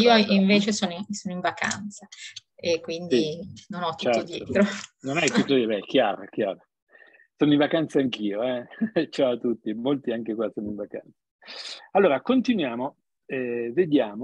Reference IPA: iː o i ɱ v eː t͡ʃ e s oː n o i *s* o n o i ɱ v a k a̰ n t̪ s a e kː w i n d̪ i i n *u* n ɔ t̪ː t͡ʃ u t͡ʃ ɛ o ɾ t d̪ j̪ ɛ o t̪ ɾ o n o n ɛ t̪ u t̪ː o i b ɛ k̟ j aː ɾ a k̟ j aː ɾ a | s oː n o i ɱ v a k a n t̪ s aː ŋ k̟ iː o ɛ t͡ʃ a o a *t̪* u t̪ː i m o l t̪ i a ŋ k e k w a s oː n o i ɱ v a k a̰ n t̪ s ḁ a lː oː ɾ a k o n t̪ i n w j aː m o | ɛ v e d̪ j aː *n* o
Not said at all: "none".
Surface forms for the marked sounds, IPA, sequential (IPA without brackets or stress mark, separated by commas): s, o, t̪, m